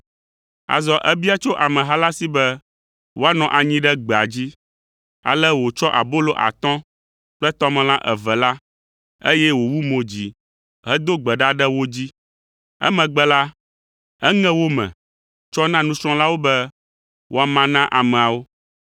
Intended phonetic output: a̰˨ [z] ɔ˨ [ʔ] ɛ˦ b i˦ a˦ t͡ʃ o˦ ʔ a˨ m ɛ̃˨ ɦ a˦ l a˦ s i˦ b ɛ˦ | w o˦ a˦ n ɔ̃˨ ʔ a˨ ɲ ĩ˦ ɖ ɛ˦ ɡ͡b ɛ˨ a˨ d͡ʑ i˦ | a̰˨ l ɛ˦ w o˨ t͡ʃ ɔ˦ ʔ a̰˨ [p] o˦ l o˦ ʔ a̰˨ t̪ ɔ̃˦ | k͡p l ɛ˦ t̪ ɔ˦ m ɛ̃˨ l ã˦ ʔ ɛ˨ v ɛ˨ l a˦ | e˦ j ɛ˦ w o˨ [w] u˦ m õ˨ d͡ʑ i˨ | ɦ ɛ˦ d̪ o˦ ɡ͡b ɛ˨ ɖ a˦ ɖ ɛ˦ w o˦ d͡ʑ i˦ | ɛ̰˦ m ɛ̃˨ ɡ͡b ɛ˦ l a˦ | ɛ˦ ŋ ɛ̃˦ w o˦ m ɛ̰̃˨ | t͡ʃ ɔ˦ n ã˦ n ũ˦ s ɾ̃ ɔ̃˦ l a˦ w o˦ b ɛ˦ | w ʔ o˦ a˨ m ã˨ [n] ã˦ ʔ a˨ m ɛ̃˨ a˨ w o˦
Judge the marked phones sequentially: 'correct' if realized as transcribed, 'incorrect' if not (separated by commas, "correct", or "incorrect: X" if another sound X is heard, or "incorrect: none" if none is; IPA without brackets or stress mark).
correct, correct, incorrect: b, correct, correct